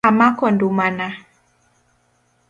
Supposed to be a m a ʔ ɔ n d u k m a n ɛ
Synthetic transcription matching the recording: a m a k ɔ n d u m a n a